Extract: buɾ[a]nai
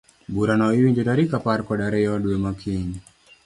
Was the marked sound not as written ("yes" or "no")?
no